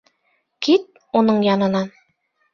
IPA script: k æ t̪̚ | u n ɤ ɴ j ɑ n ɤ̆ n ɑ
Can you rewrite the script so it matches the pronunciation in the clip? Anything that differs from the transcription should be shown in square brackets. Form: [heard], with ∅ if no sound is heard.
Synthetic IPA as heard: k [i] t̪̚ | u n ɤ ɴ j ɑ n ɤ̆ n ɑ